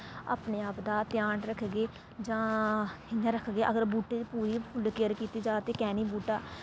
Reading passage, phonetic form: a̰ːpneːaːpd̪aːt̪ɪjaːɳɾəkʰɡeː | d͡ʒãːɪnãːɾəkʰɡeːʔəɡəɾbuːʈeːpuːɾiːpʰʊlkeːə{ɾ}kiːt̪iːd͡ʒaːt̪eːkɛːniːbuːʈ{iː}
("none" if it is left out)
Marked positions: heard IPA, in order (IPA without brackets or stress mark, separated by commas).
ɾ, aː